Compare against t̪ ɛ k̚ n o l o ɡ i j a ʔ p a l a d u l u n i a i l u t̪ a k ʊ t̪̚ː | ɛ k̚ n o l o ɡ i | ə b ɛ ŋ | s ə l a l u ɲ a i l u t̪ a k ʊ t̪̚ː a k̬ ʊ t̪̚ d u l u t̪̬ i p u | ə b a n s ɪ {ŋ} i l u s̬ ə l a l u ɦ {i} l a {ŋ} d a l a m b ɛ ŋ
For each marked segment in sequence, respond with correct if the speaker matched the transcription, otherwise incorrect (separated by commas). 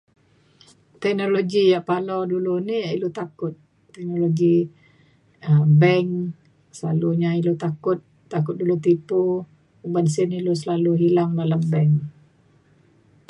incorrect, correct, correct